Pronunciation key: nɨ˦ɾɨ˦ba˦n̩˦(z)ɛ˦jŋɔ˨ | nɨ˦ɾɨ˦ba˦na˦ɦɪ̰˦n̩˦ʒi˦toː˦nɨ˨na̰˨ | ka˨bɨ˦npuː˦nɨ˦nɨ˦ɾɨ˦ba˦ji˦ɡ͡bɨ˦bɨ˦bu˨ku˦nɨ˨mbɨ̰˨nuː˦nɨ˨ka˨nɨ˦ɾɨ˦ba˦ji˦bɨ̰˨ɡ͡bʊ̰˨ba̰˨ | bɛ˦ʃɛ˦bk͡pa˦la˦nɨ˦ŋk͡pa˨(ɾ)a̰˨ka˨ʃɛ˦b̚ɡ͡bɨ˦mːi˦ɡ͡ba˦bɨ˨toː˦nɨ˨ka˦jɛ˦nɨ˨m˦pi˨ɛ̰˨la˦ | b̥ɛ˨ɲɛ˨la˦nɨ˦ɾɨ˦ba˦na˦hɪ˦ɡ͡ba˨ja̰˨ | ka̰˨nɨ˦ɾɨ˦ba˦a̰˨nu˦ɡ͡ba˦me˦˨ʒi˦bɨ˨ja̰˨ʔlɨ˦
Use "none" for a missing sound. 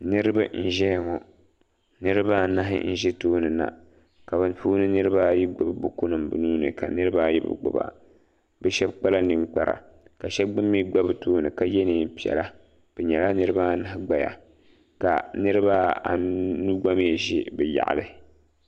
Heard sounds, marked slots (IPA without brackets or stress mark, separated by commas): ʒ, ɾ